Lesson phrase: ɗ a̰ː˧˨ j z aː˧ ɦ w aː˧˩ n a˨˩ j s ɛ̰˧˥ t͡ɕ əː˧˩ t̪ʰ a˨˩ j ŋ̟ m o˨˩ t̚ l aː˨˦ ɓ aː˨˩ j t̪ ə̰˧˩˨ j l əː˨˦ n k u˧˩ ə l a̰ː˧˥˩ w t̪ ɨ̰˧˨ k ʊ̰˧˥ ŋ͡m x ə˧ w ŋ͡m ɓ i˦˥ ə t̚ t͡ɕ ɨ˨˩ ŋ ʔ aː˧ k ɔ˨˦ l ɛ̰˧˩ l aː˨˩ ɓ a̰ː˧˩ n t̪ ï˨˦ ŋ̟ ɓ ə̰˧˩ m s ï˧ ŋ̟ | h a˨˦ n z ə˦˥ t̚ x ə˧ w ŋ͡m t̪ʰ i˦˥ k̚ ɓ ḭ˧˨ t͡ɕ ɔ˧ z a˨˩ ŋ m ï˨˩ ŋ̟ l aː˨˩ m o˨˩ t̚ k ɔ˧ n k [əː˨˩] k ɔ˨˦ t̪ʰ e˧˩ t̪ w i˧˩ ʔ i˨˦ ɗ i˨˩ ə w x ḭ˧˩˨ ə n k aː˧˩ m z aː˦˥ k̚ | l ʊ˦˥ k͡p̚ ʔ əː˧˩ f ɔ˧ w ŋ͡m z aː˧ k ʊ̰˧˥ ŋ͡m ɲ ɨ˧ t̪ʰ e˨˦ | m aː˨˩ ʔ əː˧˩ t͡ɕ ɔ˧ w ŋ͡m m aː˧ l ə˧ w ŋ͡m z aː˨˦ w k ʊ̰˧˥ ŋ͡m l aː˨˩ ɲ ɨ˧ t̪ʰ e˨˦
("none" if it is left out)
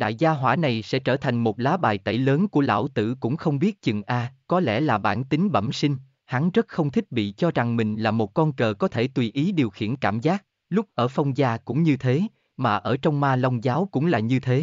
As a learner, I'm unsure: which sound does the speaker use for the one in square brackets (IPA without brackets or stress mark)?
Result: əː˨˩